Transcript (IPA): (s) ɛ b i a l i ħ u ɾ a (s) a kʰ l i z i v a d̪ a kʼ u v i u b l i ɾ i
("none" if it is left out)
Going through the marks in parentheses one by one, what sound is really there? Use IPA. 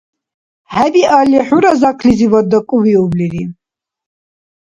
h, z

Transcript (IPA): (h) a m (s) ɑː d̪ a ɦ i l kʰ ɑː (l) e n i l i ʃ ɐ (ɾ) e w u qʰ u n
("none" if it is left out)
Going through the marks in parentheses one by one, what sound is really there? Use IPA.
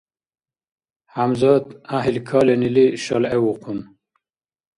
h, z, l, l

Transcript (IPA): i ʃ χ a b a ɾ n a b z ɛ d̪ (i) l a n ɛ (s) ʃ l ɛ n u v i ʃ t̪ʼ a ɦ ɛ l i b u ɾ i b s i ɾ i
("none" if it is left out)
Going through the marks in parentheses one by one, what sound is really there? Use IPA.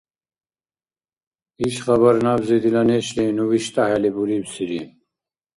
i, none

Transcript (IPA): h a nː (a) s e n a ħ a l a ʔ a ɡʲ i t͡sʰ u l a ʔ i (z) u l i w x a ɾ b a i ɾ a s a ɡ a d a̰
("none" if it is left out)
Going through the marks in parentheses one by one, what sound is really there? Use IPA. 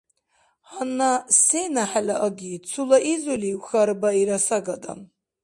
a, z

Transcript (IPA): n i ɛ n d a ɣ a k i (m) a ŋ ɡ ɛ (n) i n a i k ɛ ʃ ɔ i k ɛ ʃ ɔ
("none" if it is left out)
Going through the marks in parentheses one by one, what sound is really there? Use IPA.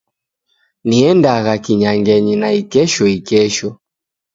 ɲ, ɲ

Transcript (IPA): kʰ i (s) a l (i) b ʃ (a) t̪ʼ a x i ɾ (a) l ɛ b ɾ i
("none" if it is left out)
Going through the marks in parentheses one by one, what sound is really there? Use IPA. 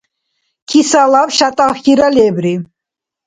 s, a, a, a

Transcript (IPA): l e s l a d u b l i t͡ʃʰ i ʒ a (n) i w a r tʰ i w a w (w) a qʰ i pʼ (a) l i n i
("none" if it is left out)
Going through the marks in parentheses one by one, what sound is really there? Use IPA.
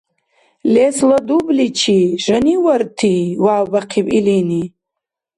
n, b, i

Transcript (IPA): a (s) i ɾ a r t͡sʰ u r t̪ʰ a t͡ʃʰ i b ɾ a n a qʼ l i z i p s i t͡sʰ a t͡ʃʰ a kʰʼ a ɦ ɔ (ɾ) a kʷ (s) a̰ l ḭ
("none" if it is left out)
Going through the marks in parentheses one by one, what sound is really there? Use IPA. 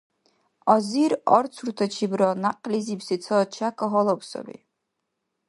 z, l, s

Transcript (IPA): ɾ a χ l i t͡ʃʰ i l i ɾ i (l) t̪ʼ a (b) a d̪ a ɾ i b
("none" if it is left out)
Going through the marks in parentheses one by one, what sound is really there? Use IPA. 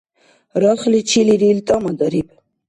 l, m

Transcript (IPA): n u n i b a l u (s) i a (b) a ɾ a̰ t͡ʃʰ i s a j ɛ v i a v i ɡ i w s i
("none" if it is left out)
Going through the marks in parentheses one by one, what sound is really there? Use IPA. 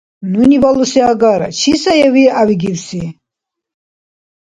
s, ɡ

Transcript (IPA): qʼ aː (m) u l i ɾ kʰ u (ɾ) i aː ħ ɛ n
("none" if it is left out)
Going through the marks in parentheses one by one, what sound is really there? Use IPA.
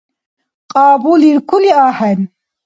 b, l

